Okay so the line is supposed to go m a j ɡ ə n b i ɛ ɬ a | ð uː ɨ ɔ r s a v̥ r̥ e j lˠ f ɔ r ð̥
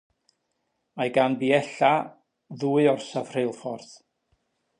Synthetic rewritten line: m a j ɡ a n b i ɛ ɬ a | ð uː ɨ ɔ r s a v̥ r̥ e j lˠ f ɔ r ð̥